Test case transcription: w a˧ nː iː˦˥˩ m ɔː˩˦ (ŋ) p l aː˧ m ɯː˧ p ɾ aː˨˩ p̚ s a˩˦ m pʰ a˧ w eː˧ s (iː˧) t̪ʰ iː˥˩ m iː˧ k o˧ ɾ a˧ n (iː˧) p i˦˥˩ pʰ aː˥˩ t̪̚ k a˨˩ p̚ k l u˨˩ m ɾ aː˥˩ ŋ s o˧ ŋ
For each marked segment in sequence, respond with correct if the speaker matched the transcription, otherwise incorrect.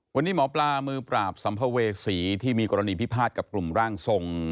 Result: incorrect, incorrect, correct

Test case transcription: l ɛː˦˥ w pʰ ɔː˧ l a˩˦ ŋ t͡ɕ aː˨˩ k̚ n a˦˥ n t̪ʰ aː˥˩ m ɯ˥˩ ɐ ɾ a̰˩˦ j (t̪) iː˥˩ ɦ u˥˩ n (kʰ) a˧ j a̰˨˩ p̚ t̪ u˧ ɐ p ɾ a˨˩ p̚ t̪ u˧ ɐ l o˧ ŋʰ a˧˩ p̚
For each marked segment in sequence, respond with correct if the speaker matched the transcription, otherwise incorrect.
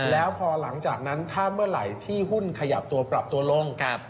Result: incorrect, correct

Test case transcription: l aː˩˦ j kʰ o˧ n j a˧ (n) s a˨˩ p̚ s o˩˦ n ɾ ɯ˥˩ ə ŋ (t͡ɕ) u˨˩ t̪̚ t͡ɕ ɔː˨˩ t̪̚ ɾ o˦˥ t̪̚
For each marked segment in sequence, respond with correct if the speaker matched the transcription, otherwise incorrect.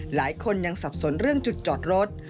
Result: incorrect, correct

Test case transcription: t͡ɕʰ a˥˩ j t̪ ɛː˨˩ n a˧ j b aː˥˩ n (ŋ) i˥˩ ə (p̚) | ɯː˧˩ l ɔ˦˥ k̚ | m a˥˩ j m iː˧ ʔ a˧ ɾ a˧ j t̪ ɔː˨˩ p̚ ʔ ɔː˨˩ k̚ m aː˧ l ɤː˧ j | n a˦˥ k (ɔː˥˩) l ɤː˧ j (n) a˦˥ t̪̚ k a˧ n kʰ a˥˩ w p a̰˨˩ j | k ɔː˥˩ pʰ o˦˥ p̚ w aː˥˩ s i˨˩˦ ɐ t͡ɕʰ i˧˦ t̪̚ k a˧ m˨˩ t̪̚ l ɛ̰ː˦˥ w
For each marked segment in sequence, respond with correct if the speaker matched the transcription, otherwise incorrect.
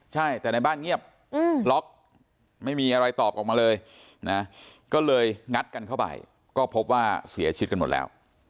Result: correct, correct, correct, incorrect

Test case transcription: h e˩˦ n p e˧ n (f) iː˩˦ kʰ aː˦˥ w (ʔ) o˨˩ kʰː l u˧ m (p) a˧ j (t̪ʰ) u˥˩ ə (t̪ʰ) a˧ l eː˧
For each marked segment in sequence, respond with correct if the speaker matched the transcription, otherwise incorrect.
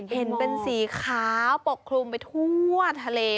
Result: incorrect, incorrect, correct, correct, correct

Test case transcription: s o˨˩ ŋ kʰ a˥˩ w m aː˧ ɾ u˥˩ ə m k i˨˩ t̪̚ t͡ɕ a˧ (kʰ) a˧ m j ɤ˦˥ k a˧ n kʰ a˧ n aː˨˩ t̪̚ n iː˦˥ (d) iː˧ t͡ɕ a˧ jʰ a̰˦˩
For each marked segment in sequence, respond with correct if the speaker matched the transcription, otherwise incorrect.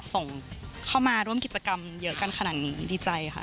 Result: incorrect, correct

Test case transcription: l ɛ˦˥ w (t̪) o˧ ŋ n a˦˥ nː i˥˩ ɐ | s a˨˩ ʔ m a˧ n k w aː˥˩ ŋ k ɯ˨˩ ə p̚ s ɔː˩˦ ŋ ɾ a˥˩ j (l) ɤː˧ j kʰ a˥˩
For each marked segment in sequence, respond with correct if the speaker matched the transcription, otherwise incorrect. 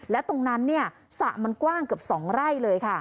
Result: correct, correct

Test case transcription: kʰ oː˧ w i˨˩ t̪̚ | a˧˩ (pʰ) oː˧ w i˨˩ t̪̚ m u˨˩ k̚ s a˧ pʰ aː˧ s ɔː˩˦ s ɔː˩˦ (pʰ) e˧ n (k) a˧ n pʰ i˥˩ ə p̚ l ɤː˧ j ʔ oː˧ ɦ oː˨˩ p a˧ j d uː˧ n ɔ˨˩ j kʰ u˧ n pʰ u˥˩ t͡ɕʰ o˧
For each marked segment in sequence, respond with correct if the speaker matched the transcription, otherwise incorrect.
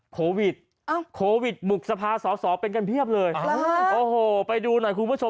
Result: incorrect, incorrect, correct

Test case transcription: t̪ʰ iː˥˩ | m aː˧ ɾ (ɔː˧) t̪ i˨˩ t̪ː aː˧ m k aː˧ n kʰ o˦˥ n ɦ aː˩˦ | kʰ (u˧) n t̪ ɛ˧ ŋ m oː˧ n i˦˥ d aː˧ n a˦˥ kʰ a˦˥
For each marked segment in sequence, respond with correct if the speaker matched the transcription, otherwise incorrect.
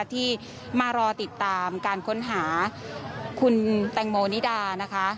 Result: correct, correct

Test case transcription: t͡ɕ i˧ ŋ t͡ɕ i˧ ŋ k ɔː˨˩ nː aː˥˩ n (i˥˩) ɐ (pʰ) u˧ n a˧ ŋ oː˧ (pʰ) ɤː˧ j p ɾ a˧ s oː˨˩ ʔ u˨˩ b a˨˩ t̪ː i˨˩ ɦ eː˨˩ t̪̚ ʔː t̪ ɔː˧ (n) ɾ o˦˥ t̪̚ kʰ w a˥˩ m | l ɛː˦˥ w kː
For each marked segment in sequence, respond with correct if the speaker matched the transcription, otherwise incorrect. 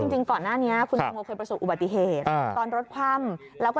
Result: incorrect, incorrect, incorrect, correct

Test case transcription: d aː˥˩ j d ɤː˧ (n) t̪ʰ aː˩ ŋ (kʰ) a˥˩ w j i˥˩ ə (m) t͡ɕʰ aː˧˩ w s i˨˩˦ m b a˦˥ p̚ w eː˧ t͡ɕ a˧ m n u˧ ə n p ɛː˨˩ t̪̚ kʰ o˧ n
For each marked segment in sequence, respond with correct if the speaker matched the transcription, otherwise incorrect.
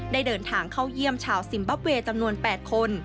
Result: correct, correct, correct

